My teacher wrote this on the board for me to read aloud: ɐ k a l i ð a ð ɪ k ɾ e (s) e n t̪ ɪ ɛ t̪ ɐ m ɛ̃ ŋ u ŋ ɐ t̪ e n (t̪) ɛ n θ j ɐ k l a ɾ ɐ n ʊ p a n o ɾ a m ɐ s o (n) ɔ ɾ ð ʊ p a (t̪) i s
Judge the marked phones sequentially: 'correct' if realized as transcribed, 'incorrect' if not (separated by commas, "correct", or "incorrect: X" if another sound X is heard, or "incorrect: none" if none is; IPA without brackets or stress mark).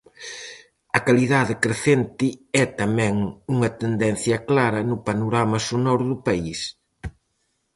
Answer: incorrect: θ, incorrect: d̪, correct, incorrect: none